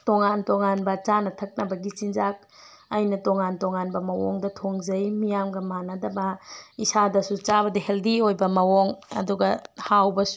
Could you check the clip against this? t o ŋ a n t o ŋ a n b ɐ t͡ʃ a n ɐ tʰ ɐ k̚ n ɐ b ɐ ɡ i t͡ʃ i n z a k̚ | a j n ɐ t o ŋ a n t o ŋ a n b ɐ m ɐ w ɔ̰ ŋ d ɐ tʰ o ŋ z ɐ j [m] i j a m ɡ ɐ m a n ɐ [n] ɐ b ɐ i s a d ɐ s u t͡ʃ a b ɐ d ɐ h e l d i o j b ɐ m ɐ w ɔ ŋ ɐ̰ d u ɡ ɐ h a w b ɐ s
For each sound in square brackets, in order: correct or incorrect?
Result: correct, incorrect

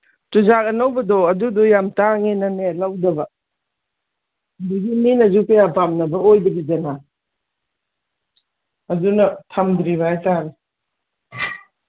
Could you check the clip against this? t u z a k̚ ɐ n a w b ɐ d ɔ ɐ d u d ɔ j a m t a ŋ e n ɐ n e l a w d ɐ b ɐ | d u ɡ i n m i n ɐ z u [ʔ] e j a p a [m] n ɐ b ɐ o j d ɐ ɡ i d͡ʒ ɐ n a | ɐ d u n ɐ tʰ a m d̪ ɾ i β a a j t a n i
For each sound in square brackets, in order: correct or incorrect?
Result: incorrect, correct

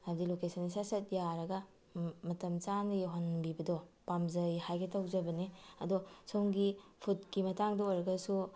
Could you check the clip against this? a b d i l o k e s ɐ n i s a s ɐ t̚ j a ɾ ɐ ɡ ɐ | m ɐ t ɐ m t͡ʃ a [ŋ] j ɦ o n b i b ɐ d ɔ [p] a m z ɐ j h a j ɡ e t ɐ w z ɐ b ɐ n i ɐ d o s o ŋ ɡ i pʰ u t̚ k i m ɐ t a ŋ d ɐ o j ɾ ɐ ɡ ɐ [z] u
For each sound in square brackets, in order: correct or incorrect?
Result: incorrect, correct, incorrect

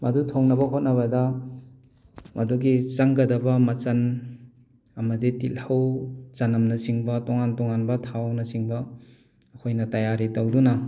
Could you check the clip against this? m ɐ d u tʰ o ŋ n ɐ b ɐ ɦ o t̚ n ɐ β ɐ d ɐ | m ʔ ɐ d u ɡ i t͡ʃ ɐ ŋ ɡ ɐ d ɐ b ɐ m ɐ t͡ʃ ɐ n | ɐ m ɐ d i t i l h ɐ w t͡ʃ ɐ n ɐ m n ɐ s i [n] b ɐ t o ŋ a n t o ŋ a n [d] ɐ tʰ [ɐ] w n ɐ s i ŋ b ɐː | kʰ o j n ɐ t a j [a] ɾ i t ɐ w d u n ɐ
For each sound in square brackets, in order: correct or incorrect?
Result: incorrect, incorrect, incorrect, correct

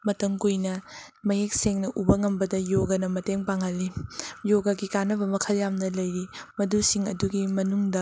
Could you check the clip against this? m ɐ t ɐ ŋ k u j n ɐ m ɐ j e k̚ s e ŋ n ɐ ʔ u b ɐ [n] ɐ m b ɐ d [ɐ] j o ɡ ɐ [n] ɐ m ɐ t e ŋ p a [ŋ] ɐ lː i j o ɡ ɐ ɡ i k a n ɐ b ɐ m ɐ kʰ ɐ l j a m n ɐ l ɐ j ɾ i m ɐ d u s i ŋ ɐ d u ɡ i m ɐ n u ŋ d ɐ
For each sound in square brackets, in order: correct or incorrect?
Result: incorrect, correct, correct, correct

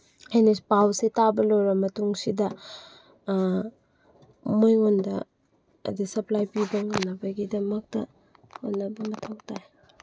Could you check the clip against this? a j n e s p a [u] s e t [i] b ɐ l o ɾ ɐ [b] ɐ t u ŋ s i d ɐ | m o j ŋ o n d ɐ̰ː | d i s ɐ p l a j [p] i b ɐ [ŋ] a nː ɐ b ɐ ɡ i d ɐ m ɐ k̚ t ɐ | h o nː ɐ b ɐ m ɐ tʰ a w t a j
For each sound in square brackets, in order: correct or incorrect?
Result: incorrect, incorrect, incorrect, correct, correct

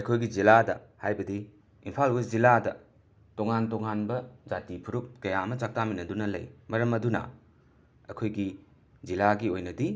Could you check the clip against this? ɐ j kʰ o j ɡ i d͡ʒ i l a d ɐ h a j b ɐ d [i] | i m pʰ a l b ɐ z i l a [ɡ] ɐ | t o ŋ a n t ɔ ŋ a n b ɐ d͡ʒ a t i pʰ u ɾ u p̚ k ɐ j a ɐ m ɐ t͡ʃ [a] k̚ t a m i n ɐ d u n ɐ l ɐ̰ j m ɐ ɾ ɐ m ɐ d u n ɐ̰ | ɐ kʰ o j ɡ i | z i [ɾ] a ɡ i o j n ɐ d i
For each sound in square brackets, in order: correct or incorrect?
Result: correct, incorrect, correct, incorrect

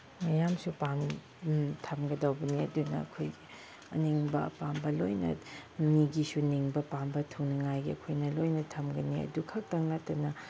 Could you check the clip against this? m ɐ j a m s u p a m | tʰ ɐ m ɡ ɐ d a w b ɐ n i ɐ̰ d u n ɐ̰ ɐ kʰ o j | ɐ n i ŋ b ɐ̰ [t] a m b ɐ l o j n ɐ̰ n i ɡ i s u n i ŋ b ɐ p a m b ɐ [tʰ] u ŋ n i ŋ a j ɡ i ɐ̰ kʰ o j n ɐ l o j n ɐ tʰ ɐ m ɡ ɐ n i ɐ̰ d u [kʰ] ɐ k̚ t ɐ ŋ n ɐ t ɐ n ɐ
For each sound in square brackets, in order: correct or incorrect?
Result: incorrect, correct, correct

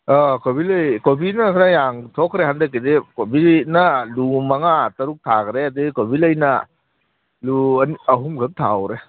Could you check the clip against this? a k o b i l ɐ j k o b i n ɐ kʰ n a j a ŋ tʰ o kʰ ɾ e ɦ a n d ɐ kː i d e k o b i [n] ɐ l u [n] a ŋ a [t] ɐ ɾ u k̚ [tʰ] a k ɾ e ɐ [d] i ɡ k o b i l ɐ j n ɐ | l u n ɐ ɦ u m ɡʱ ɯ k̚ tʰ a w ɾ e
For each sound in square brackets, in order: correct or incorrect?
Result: correct, incorrect, correct, correct, correct

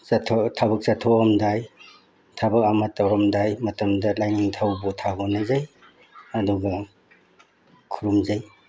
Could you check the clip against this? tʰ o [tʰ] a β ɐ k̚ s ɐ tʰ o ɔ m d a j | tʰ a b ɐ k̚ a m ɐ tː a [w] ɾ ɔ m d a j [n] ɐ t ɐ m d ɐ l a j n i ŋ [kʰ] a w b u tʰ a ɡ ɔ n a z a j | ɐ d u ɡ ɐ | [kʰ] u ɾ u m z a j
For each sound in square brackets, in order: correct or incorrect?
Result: correct, correct, incorrect, incorrect, correct

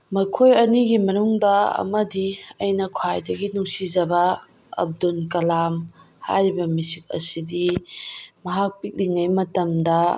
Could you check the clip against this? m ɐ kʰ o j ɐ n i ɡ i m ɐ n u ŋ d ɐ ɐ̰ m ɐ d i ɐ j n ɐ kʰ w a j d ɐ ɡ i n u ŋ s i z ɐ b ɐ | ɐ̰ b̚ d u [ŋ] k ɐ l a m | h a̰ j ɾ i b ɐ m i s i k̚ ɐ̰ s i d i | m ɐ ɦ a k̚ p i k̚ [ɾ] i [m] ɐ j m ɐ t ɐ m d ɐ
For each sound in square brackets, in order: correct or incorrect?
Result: incorrect, incorrect, incorrect

